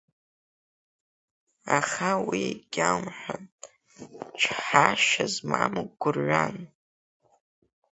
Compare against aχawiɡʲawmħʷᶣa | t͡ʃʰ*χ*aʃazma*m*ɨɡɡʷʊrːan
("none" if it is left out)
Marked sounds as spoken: ħ, m

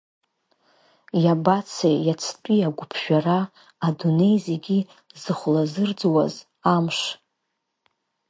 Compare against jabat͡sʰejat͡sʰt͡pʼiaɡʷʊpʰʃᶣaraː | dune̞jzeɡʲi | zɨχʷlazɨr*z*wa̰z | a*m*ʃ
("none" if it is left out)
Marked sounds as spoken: d͡z, m

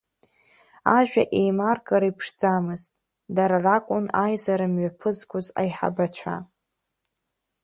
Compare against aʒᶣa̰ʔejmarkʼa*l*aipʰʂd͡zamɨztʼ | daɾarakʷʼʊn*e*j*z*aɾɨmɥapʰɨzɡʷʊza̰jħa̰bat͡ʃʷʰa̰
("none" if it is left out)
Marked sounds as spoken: ɾ, a, z

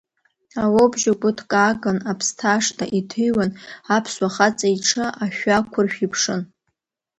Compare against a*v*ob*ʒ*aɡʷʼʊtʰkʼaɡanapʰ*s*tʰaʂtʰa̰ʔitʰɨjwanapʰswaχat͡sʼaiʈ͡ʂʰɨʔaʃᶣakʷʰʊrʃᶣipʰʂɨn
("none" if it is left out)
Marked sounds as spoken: w, ʒ, s

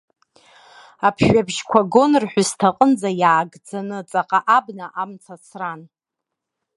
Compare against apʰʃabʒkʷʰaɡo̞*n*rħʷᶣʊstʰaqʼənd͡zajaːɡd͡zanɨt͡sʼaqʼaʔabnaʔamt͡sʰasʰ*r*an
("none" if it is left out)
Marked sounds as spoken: n, r

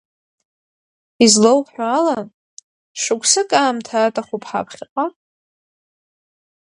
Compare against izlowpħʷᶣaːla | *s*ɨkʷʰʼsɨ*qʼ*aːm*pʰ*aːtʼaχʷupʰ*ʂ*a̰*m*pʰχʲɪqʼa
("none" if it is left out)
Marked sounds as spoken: ʂ, kʼ, tʰ, ħ, none

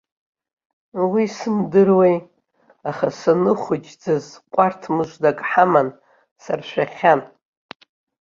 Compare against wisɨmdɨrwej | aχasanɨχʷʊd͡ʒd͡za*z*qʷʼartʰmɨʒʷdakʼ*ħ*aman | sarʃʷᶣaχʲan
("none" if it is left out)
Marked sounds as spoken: z, ħ

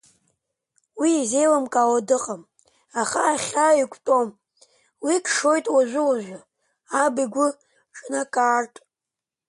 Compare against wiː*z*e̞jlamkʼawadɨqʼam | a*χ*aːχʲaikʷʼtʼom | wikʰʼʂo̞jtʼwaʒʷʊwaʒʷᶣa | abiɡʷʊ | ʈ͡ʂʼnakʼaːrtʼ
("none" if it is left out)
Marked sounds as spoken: z, χ

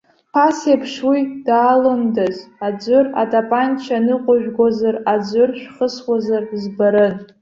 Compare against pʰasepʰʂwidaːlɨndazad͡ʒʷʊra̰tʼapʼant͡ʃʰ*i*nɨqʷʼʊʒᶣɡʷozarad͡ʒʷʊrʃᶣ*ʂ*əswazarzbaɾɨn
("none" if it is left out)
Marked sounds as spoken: a, χ

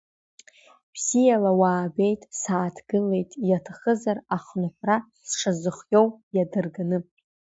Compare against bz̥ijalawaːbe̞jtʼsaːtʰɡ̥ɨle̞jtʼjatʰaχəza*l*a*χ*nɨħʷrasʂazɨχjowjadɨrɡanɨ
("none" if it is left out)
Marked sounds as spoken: r, χ

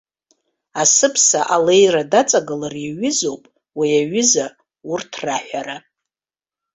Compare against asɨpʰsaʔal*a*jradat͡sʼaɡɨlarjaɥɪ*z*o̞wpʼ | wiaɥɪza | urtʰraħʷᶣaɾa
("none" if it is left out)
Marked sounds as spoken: e, z

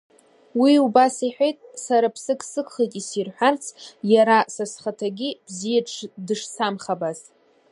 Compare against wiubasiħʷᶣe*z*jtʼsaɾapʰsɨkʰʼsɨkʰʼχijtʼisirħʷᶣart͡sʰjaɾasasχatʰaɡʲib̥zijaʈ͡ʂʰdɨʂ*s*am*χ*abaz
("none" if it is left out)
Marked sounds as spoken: none, s, χ

